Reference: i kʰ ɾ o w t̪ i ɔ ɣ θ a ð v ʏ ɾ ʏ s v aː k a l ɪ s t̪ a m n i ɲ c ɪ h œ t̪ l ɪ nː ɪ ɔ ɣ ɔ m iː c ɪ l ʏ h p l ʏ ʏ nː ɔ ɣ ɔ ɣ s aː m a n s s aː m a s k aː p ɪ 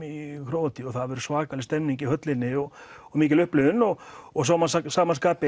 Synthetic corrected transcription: i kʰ ɾ o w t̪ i ɔ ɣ θ a ð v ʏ ɾ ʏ s v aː k a l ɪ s t̪ ɛ m n i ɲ c ɪ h œ t̪ l ɪ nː ɪ ɔ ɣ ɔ m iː c ɪ l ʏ h p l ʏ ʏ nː ɔ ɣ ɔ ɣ s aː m a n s s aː m a s k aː p ɪ